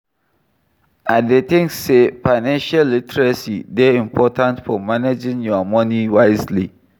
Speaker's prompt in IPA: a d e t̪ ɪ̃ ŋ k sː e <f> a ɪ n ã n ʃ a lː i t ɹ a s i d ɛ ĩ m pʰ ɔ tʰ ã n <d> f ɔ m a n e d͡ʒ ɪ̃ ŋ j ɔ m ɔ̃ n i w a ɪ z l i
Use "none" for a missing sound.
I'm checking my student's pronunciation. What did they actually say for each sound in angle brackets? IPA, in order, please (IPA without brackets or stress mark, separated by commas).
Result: f, t